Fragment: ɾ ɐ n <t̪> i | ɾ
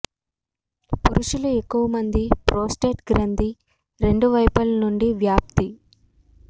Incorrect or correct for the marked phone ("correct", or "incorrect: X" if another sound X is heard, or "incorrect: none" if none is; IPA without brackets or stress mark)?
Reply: incorrect: d̪